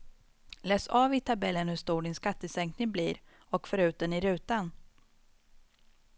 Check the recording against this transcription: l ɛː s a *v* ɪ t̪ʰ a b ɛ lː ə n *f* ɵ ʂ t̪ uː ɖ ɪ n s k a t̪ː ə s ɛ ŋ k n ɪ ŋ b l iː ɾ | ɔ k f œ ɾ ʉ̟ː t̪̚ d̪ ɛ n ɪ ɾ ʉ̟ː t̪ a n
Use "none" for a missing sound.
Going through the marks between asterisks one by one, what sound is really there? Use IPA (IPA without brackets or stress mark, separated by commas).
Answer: v, h